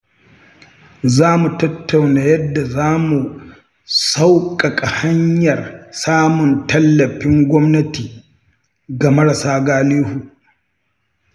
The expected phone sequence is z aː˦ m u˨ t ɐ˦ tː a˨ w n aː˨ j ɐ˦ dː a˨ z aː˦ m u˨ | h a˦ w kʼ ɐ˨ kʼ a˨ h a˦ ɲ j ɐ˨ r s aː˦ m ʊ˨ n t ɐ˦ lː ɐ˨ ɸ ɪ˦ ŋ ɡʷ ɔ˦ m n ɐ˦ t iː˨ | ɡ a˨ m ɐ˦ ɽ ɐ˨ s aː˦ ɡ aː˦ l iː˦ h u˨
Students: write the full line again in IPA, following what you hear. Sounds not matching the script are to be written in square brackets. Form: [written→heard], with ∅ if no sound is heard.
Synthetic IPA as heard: z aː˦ m u˨ t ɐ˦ tː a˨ w n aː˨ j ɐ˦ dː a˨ z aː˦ m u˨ | [h→s] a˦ w kʼ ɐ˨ kʼ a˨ h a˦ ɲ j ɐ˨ r s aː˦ m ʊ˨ n t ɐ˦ lː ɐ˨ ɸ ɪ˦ ŋ ɡʷ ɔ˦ m n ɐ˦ t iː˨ | ɡ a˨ m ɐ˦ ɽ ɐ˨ s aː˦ ɡ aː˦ l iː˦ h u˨